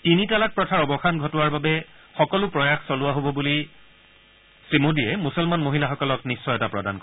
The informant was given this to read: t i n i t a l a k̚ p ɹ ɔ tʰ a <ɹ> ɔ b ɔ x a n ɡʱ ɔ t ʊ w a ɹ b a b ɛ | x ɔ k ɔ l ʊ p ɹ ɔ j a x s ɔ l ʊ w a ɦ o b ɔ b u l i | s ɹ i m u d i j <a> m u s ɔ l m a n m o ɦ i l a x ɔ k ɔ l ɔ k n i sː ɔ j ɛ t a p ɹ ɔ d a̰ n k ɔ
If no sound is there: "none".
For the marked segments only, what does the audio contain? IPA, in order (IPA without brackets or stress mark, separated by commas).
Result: ɹ, ɛ